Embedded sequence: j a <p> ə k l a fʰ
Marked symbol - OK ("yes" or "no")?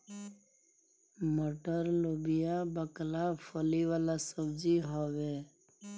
no